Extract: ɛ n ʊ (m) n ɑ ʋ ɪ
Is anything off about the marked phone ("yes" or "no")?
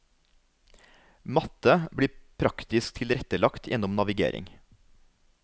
no